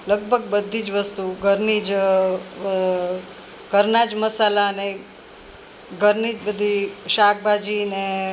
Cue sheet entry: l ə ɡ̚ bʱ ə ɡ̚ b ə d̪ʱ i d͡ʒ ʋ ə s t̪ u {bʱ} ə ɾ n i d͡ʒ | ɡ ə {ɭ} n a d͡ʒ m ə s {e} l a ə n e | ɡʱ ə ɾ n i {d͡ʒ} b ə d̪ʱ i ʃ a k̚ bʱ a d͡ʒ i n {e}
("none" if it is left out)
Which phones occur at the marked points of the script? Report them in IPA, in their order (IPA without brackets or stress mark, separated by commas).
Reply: ɡʱ, ɾ, a, d͡ʒ, e